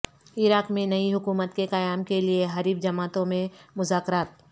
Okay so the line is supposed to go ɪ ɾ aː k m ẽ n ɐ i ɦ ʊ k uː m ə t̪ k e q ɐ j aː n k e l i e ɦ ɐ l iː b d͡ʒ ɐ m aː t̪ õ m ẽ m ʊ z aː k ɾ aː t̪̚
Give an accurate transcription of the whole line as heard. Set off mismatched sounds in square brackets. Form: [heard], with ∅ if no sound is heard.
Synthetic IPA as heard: ɪ ɾ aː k m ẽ n ɐ i ɦ ʊ k uː m ə t̪ k e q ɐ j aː [m] k e l i e ɦ ɐ [ɾ] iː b d͡ʒ ɐ m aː t̪ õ m ẽ m ʊ z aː k ɾ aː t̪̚